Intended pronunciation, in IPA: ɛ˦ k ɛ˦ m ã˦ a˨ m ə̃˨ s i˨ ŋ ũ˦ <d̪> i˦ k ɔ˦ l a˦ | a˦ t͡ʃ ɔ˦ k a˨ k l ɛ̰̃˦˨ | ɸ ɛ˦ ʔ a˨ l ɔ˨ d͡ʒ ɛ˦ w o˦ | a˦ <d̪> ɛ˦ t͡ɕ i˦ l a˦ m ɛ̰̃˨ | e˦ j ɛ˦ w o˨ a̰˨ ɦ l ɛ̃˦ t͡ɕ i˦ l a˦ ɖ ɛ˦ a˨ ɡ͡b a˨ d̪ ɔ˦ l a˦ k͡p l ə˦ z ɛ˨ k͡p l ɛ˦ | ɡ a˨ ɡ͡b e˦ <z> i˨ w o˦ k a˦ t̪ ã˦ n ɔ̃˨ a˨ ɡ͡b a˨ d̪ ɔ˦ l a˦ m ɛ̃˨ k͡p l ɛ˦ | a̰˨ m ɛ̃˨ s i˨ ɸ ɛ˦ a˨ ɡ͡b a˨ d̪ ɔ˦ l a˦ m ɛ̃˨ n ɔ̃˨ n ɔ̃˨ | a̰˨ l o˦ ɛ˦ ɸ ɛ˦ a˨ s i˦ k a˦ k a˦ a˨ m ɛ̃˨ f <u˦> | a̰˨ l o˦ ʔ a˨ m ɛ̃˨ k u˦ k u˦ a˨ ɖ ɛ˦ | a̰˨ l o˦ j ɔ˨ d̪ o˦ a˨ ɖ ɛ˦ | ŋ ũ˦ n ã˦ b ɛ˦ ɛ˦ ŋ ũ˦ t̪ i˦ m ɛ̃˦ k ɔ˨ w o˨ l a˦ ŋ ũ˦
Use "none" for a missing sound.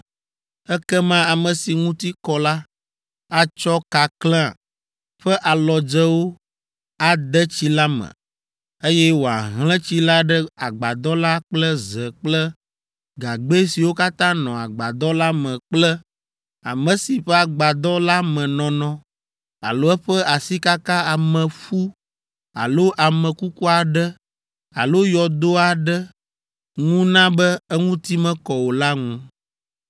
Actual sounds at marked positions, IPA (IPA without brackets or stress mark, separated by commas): t̪, d̪, s, u˦